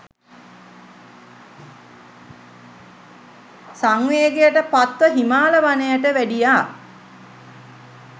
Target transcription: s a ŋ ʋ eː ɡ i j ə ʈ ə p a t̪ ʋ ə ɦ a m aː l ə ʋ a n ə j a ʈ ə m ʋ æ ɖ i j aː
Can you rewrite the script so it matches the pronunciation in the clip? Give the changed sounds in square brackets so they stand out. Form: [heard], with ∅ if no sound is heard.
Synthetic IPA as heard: s a ŋ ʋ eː ɡ [e] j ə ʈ ə p a t̪ ʋ ə ɦ [i] m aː l ə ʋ a n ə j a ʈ ə [∅] ʋ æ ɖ i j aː